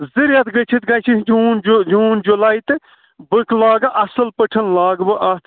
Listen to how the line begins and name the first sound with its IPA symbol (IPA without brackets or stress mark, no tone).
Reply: z